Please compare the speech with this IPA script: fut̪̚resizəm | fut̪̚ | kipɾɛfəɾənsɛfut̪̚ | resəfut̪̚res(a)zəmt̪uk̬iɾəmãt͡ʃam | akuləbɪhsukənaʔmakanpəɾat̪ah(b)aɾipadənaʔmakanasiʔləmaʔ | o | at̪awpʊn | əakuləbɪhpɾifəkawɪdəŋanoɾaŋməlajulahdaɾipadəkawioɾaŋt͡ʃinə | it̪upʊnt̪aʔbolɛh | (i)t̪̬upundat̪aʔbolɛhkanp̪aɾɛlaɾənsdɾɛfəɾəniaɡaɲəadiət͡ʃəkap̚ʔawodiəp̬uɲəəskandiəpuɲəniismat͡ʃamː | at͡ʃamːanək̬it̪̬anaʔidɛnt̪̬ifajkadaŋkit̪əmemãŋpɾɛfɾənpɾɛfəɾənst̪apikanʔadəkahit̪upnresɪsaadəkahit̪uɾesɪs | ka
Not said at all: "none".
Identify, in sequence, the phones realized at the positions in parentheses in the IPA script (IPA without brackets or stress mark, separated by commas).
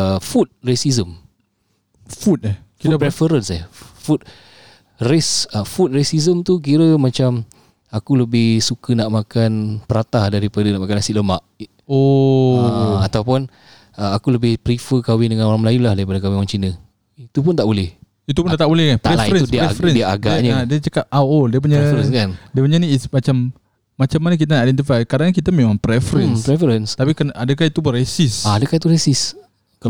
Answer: i, d, i